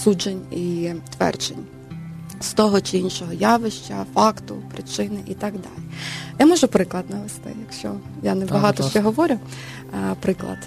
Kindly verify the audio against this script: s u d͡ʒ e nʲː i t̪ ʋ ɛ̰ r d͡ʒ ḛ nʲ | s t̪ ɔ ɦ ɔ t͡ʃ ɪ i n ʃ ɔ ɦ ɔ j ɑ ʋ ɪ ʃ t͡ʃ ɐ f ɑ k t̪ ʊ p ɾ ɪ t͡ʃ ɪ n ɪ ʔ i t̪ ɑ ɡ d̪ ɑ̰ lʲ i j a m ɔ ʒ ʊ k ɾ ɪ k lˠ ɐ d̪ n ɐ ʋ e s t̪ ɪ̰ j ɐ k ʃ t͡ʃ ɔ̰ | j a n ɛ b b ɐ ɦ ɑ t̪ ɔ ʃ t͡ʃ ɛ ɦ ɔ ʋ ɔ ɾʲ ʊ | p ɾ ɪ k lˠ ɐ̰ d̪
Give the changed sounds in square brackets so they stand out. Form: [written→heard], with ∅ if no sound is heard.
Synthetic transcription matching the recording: s u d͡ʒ e [nʲː→nʲ] i t̪ ʋ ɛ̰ r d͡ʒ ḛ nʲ | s t̪ ɔ ɦ ɔ t͡ʃ ɪ i n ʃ ɔ ɦ ɔ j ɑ ʋ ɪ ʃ t͡ʃ ɐ f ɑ k t̪ ʊ p ɾ ɪ t͡ʃ ɪ n ɪ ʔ i t̪ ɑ ɡ d̪ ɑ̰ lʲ i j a m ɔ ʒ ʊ [k→p] ɾ ɪ k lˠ ɐ d̪ n ɐ ʋ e s t̪ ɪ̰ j ɐ k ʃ t͡ʃ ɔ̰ | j a n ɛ b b ɐ ɦ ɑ t̪ ɔ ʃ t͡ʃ ɛ ɦ ɔ ʋ ɔ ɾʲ ʊ | p ɾ ɪ k lˠ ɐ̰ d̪